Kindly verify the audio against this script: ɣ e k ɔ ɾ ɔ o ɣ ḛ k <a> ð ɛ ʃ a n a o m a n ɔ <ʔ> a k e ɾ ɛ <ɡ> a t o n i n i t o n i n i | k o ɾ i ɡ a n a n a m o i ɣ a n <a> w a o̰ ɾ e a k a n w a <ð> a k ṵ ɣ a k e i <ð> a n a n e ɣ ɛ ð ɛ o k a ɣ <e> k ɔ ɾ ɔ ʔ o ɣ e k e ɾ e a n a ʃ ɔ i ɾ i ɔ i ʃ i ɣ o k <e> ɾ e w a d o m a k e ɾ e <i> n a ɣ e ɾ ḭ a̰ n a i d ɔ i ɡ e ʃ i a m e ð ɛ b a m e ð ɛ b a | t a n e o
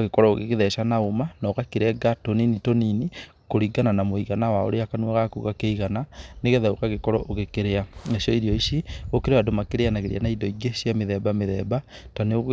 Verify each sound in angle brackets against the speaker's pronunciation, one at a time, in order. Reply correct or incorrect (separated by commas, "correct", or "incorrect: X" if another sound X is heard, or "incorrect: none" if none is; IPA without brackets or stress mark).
incorrect: e, incorrect: k, correct, correct, incorrect: ɣ, incorrect: ɣ, correct, correct, incorrect: a